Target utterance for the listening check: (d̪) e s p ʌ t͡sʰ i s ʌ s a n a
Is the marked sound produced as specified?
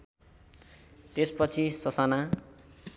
no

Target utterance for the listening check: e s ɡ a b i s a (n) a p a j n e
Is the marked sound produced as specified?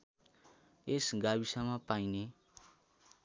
no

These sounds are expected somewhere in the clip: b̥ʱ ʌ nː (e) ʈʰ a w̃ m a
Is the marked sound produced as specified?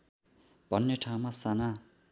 yes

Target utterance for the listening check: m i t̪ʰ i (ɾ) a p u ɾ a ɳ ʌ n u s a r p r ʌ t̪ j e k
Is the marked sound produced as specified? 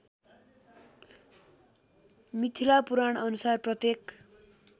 no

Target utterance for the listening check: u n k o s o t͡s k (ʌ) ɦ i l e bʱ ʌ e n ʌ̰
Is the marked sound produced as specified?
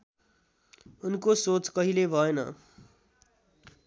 yes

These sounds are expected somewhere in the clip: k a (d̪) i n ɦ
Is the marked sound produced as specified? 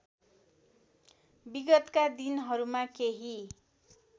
yes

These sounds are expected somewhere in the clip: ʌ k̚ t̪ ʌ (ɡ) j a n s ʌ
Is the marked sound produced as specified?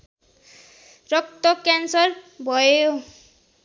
no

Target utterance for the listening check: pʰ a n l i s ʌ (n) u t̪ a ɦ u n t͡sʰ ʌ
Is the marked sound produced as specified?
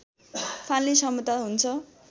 no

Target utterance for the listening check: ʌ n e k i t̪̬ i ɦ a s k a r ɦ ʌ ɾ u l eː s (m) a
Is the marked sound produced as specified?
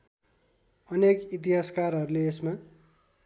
yes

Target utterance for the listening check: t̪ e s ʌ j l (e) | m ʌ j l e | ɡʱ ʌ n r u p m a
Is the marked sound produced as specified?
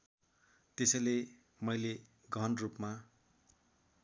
yes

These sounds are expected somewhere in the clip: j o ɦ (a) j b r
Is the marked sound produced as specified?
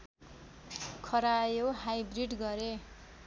yes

